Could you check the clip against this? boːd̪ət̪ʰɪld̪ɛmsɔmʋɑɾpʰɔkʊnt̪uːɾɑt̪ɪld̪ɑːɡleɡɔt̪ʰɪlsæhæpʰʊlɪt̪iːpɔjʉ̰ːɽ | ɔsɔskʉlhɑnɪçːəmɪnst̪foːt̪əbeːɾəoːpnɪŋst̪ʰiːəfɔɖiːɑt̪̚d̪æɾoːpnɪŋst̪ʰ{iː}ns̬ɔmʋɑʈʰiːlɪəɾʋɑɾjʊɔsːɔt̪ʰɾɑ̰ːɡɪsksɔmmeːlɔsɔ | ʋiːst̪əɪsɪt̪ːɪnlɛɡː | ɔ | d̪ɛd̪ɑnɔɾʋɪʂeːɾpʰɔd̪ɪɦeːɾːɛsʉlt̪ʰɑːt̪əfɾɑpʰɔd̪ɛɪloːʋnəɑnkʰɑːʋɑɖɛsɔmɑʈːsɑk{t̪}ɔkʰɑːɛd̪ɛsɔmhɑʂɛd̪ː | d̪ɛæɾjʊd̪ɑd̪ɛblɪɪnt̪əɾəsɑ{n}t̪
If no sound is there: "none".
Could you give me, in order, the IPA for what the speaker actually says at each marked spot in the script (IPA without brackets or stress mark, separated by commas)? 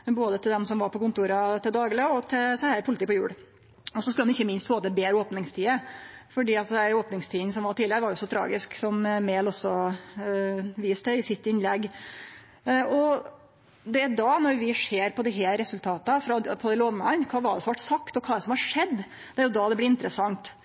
iː, t̪, ŋ